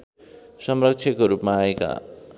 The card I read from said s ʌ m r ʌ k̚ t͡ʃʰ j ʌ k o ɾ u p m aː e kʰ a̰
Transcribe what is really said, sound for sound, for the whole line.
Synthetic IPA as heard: s ʌ m r ʌ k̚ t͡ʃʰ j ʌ k o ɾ u p m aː e k a̰